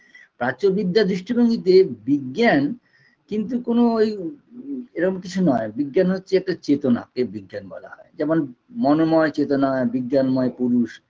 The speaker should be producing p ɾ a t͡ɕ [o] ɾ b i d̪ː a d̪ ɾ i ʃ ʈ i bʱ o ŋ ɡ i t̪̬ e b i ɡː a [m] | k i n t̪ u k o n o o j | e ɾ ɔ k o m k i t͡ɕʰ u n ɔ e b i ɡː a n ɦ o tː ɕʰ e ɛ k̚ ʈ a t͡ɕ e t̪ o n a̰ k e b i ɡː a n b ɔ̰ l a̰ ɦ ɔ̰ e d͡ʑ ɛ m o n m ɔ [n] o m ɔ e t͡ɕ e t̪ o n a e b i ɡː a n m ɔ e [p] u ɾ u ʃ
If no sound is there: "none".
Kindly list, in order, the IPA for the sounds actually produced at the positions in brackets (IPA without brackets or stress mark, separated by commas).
o, n, n, p